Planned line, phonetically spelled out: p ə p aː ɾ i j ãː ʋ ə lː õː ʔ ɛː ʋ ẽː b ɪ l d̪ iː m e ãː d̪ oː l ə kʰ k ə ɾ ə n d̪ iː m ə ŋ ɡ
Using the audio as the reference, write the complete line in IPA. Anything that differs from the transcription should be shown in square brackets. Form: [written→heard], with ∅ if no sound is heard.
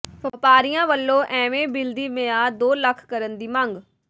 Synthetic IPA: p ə p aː ɾ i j ãː ʋ ə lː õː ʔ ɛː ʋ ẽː b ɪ l d̪ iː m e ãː d̪ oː l ə kʰ k ə ɾ ə n d̪ iː m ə ŋ ɡ